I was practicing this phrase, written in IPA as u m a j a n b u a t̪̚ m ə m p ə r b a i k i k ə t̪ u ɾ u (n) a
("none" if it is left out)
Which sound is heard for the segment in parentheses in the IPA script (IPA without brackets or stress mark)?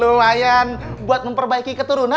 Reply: n